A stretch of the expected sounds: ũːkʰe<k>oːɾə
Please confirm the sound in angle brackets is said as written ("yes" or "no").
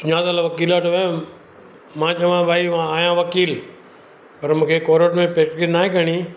yes